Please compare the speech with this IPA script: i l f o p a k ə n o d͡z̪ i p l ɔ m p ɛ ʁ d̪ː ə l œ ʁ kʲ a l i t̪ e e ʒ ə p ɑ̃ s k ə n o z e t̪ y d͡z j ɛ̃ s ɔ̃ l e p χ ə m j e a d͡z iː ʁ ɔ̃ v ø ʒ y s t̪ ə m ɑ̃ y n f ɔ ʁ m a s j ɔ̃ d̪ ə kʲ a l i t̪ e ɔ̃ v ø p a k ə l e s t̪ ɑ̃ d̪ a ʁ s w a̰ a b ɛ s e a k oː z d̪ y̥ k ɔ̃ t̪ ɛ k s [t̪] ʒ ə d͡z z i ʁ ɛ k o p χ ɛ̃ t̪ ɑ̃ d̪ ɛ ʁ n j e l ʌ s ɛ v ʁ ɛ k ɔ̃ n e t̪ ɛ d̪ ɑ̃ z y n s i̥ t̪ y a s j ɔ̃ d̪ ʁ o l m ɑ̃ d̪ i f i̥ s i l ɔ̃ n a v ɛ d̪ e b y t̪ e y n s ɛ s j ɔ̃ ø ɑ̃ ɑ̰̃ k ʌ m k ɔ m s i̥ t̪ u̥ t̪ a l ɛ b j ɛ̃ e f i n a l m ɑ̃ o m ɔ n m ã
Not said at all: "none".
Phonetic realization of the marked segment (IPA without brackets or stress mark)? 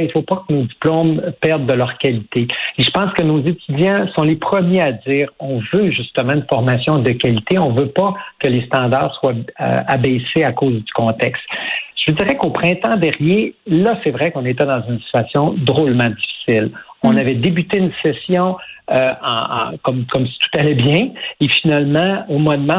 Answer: t̪